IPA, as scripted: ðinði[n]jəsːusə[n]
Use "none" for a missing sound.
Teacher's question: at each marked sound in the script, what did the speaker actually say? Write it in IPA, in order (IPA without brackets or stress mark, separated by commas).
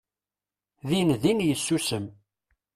n, m